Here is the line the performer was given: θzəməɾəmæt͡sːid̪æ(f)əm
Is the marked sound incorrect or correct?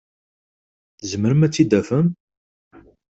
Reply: correct